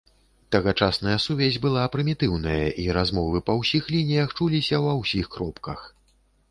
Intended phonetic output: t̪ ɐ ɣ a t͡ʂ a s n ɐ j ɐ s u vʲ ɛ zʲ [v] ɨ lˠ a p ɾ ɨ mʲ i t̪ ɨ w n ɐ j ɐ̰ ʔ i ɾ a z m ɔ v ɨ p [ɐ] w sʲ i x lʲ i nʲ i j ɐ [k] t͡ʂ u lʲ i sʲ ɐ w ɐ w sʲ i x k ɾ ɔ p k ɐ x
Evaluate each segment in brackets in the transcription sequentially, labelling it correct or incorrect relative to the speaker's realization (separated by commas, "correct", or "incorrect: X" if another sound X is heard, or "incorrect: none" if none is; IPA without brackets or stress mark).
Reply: incorrect: b, correct, incorrect: x